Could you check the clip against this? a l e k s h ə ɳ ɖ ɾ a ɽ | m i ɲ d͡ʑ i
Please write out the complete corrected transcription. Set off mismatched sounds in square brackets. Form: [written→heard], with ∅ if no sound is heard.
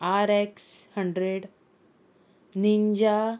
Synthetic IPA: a [l→ɾ] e k s h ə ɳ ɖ ɾ [a→e] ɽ | [m→n] i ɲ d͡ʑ [i→a]